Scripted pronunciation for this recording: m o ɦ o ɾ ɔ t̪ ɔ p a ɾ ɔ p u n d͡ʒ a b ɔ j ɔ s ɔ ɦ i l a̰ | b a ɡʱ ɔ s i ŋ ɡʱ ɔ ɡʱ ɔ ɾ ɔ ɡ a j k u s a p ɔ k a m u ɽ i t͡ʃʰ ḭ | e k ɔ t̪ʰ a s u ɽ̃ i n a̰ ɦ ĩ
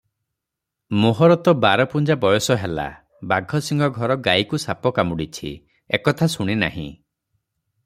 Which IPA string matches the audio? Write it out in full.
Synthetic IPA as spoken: m o ɦ ɔ ɾ ɔ t̪ ɔ b a ɾ ɔ p u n d͡ʒ a b ɔ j ɔ s ɔ ɦ e l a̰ | b a ɡʱ ɔ s i ŋ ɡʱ ɔ ɡʱ ɔ ɾ ɔ ɡ a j k u s a p ɔ k a m u ɽ i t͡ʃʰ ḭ | e k ɔ t̪ʰ a s u ɽ̃ i n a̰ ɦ ĩ

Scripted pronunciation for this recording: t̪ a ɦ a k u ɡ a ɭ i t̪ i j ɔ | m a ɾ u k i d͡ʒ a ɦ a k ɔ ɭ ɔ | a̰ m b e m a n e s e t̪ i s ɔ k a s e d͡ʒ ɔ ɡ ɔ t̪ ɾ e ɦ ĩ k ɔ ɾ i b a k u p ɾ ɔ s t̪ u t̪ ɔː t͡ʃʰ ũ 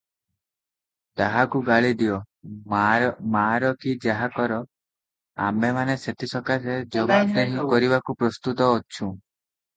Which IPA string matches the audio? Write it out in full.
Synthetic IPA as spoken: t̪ a ɦ a k u ɡ a ɭ i d̪ i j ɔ | m a ɾ ɔ k i d͡ʒ a ɦ a k ɔ ɾ ɔ | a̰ m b e m a n e s e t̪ i s ɔ k a s e d͡ʒ ɔ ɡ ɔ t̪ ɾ e ɦ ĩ k ɔ ɾ i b a k u p ɾ ɔ s t̪ u t̪ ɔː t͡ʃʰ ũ

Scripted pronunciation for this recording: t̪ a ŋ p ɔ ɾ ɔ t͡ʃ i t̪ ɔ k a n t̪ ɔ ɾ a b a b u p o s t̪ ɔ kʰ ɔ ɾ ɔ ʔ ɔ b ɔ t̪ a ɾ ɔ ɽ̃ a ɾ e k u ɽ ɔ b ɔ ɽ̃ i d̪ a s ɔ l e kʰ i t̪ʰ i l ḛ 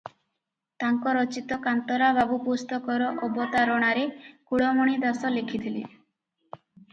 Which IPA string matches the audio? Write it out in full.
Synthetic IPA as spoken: t̪ a ŋ k ɔ ɾ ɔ t͡ʃ i t̪ ɔ k a n t̪ ɔ ɾ a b a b u p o s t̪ ɔ k ɔ ɾ ɔ ʔ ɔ b ɔ t̪ a ɾ ɔ ɽ̃ a ɾ e k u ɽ ɔ m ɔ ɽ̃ i d̪ a s ɔ l e kʰ i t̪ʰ i l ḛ

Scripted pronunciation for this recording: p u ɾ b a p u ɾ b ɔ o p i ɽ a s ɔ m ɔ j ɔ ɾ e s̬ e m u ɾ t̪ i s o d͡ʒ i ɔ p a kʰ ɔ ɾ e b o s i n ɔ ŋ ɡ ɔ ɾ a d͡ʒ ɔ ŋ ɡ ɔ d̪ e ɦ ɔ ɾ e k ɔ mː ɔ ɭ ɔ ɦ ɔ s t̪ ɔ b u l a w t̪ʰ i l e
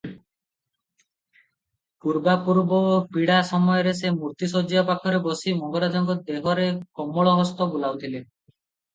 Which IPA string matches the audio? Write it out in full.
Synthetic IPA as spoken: p u ɾ b a p u ɾ b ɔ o p i ɽ a s ɔ m ɔ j ɔ ɾ e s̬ e m u ɾ t̪ i s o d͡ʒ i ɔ p a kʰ ɔ ɾ e b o s i m ɔ ŋ ɡ ɔ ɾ a d͡ʒ ɔ ŋ ɡ ɔ d̪ e ɦ ɔ ɾ e k ɔ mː ɔ ɭ ɔ ɦ ɔ s t̪ ɔ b u l a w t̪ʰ i l e

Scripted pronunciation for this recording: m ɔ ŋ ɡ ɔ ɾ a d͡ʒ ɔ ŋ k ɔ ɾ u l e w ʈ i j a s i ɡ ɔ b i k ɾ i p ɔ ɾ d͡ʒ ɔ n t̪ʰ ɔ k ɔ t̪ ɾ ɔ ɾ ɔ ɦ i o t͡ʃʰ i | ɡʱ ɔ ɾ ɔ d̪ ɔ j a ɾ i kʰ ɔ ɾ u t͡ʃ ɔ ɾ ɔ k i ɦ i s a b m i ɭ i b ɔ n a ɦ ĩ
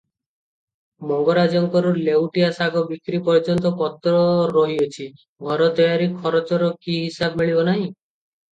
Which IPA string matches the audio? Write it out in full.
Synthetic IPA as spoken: m ɔ ŋ ɡ ɔ ɾ a d͡ʒ ɔ ŋ k ɔ ɾ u l e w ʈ i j a s a ɡ ɔ b i k ɾ i p ɔ ɾ d͡ʒ ɔ n t̪ ɔ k ɔ t̪ ɾ ɔ ɾ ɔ ɦ i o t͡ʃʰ i | ɡʱ ɔ ɾ ɔ t̪ ɔ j a ɾ i kʰ ɔ ɾ ɔ t͡ʃ ɔ ɾ ɔ k i ɦ i s a b m i ɭ i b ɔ n a ɦ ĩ

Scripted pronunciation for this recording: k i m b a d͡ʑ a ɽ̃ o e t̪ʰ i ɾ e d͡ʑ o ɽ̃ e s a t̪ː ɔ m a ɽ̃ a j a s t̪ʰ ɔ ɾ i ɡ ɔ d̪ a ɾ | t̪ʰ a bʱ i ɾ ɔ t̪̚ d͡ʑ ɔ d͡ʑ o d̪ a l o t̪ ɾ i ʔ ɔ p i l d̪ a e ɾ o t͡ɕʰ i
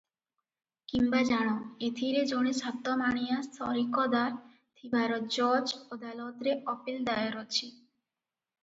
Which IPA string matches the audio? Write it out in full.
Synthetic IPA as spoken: k i m b a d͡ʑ a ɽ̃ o e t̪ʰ i ɾ e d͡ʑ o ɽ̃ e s a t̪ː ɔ m a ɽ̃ i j a s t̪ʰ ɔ ɾ i k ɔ d̪ a ɾ | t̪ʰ i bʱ a ɾ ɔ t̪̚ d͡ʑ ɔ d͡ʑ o d̪ a l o t̪ ɾ e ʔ ɔ p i l d̪ a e ɾ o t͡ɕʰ i

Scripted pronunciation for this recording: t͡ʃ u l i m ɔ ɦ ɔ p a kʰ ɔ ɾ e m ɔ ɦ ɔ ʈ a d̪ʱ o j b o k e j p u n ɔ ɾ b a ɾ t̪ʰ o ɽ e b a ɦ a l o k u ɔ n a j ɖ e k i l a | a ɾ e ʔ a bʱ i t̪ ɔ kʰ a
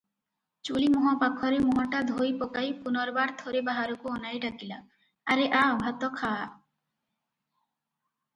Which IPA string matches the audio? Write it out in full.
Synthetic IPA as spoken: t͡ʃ u l i m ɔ ɦ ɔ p a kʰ ɔ ɾ e m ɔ ɦ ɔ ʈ a d̪ʱ o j p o k a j p u n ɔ ɾ b a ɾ t̪ʰ o ɾ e b a ɦ a ɾ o k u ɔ n a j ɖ a k i l a | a ɾ e ʔ a bʱ a t̪ ɔ kʰ a

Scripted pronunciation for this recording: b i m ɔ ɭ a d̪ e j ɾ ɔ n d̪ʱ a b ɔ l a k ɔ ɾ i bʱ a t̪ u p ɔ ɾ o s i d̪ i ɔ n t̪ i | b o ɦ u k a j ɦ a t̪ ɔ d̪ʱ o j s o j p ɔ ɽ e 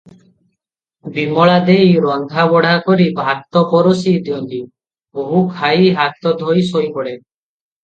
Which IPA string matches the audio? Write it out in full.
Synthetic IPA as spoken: b i m ɔ ɭ a d̪ e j ɾ ɔ n d̪ʱ a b ɔ ɽ a k ɔ ɾ i bʱ a t̪ ɔ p ɔ ɾ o s i d̪ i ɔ n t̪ i | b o ɦ u kʰ a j ɦ a t̪ ɔ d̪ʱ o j s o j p ɔ ɽ e

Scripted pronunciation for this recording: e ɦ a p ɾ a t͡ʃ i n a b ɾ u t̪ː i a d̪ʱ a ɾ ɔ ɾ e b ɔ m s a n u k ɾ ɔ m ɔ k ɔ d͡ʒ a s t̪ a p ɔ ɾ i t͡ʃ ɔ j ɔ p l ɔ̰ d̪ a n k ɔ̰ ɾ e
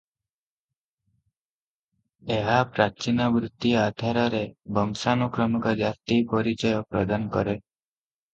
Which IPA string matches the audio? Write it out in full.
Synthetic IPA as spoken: e ɦ a p ɾ a t͡ʃ i n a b ɾ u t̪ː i a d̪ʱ a ɾ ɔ ɾ e b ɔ m s a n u k ɾ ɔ m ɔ k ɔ d͡ʒ a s t̪ i p ɔ ɾ i t͡ʃ ɔ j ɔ p ɾ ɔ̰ d̪ a n k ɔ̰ ɾ e

